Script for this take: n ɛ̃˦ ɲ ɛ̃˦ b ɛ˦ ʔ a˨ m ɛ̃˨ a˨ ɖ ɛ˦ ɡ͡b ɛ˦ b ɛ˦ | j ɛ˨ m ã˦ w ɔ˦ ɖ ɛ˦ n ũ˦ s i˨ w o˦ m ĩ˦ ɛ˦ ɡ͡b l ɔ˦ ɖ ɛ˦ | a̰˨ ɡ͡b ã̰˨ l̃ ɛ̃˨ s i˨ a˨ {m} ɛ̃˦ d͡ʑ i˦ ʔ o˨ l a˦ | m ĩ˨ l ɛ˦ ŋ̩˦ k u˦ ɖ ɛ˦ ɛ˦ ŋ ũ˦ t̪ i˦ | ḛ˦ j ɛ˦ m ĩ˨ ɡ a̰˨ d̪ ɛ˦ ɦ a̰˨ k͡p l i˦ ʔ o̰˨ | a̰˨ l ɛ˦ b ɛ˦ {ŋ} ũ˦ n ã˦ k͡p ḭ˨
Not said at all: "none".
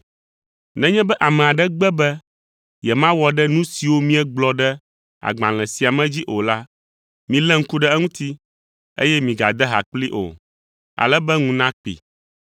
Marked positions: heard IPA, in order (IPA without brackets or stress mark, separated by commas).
m, ŋ